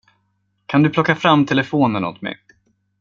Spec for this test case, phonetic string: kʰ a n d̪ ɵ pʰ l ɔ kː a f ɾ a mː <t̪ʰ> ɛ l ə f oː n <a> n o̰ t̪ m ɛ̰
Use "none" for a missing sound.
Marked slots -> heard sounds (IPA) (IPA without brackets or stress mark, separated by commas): t̪ʰ, ə